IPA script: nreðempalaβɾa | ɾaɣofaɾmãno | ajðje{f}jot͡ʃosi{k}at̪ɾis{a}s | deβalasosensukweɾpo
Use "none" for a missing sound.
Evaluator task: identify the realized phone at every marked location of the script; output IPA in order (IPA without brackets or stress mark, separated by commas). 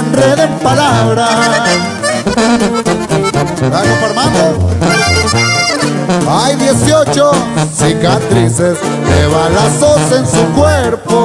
s, k, e